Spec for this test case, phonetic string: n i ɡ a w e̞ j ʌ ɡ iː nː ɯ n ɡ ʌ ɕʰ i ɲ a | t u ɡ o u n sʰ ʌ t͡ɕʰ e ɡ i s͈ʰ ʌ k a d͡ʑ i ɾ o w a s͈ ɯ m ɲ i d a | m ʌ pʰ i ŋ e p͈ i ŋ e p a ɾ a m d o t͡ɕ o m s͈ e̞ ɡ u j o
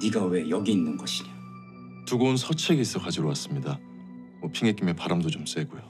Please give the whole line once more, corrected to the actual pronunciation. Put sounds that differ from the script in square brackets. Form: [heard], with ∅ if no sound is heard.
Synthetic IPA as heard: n i ɡ a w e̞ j ʌ ɡ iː nː ɯ n ɡ ʌ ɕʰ i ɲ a | t u ɡ o u n sʰ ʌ t͡ɕʰ e ɡ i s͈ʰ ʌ k a d͡ʑ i ɾ o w a s͈ ɯ m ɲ i d a | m ʌ pʰ i ŋ e [k͈] i [m] e p a ɾ a m d o t͡ɕ o m s͈ e̞ ɡ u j o